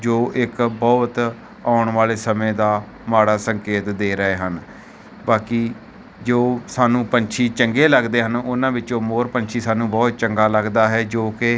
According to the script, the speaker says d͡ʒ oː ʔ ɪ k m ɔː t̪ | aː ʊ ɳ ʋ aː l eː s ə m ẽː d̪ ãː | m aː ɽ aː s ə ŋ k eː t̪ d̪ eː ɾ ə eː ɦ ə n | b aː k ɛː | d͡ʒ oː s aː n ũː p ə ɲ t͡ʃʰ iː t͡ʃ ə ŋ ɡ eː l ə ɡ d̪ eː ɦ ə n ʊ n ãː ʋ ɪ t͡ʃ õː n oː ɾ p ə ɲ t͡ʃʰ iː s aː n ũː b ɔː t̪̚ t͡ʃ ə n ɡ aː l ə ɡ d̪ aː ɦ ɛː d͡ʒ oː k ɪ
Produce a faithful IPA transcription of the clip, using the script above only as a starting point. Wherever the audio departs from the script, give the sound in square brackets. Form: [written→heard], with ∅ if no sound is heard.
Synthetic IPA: d͡ʒ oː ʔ ɪ k [m→b] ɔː t̪ | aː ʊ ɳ ʋ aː l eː s ə m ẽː d̪ [ãː→aː] | m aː ɽ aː s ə ŋ k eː t̪ d̪ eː ɾ ə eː ɦ ə n | b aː k [ɛː→iː] | d͡ʒ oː s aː n ũː p ə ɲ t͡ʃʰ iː t͡ʃ ə ŋ ɡ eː l ə ɡ d̪ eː ɦ ə n ʊ n ãː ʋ ɪ t͡ʃ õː [n→m] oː ɾ p ə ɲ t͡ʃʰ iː s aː n ũː b ɔː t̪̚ t͡ʃ ə [n→ŋ] ɡ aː l ə ɡ d̪ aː ɦ ɛː d͡ʒ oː k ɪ